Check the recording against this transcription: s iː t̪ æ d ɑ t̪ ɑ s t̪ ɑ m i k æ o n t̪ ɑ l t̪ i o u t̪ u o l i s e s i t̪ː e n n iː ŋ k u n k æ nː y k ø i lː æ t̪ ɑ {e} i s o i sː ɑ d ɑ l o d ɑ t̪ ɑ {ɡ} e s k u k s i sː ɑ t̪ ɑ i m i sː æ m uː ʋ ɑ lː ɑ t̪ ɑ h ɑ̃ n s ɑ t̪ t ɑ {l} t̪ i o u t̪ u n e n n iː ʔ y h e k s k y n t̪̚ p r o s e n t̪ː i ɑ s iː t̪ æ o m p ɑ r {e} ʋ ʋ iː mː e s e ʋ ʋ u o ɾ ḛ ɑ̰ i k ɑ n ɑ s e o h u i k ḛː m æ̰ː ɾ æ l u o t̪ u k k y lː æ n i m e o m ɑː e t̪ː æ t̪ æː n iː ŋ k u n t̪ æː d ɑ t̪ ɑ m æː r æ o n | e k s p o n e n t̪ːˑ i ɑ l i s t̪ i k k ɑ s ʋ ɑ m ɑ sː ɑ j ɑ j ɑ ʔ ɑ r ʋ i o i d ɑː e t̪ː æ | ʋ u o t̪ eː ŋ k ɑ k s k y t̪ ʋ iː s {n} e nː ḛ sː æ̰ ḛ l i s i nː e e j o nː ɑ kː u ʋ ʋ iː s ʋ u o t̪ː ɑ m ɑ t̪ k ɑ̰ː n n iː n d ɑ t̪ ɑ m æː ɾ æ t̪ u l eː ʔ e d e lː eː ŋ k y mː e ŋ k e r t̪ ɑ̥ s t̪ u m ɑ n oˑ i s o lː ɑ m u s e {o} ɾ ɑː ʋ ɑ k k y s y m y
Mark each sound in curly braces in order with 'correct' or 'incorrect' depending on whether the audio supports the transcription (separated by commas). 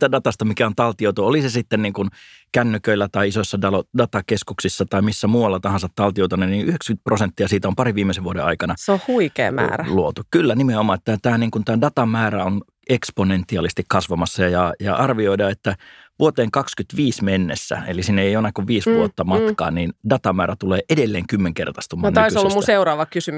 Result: incorrect, incorrect, correct, incorrect, incorrect, incorrect